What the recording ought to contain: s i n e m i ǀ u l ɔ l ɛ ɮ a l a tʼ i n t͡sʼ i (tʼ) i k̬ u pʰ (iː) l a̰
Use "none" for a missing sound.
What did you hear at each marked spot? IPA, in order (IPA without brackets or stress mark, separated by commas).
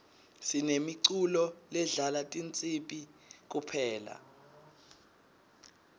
pʼ, ɛː